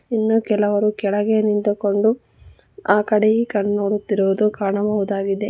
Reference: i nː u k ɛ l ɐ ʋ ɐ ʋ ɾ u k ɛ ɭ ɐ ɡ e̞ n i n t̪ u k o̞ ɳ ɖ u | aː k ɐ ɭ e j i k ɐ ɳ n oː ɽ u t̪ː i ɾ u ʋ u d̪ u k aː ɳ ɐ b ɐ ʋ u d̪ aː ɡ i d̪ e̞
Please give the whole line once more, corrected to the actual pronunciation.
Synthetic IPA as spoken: i nː u k ɛ l ɐ ʋ ɐ ɾ u k ɛ ɭ ɐ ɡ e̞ n i n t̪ u k o̞ ɳ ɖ u | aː k ɐ ɽ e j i k ɐ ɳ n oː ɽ u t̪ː i ɾ u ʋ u d̪ u k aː ɳ ɐ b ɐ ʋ u d̪ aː ɡ i d̪ e̞